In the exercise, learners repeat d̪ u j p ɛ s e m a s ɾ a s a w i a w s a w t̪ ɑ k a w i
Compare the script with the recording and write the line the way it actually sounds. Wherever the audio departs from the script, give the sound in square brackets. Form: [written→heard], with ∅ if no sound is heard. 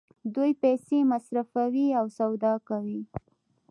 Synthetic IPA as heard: d̪ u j p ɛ s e m a s ɾ a [s→f] a w i a w s a w [t̪→d̪] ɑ k a w i